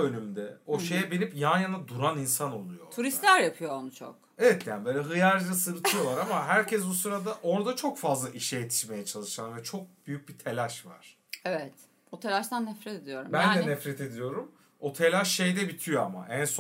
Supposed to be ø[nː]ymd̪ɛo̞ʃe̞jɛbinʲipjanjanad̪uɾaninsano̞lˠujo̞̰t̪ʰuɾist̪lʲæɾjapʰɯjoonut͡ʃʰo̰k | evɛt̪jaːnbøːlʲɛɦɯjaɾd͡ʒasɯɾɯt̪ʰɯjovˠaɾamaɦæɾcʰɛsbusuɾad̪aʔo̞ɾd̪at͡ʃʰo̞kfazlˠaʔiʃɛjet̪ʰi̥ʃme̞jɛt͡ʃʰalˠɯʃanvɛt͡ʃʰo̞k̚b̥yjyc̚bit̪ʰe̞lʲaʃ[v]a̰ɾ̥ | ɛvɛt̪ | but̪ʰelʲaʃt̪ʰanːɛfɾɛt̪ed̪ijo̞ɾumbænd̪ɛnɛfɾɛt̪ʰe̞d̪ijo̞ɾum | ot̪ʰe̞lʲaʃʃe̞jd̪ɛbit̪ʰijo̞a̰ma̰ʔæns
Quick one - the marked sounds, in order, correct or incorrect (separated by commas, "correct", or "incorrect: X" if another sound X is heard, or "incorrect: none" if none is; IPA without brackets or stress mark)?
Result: incorrect: n, correct